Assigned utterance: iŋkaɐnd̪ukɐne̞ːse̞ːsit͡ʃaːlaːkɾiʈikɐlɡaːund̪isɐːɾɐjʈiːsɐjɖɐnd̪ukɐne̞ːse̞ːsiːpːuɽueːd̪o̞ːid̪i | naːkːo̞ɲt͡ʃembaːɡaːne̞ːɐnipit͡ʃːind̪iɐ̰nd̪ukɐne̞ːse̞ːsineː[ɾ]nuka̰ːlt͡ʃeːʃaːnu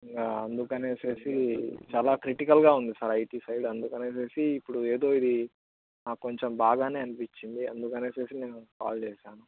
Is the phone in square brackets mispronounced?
yes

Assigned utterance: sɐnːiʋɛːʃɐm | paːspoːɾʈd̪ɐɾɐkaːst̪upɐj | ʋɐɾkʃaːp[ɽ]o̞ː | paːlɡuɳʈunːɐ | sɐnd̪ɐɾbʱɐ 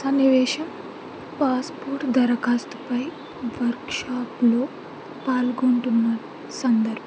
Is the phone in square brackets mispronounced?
yes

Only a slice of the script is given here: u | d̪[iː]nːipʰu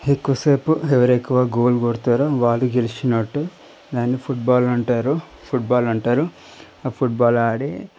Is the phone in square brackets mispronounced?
yes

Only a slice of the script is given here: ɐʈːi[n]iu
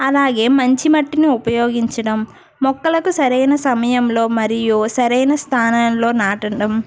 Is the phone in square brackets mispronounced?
no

